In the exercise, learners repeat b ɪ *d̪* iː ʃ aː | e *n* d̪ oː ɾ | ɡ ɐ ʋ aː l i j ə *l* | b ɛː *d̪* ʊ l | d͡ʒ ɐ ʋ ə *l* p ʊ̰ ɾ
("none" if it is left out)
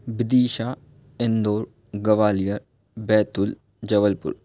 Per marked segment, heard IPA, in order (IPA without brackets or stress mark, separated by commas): d̪, n, ɾ, t̪, l